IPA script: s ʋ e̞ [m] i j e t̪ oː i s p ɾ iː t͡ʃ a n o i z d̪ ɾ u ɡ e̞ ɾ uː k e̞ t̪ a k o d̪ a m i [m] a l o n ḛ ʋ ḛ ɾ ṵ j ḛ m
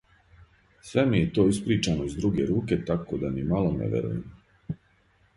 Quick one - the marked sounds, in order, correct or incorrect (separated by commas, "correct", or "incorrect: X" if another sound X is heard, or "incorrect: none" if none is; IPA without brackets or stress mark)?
correct, correct